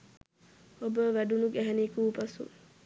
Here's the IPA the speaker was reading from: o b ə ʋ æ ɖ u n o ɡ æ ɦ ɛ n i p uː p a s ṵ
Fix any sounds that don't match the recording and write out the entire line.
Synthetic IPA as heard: o b ə ʋ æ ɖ u n u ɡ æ ɦ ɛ n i k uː p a s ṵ